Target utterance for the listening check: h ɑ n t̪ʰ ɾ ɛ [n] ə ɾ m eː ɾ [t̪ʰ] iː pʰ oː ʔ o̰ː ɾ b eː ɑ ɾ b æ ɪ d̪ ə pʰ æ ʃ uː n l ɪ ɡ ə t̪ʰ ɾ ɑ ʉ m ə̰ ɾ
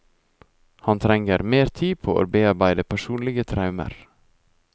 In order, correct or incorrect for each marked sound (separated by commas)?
incorrect, correct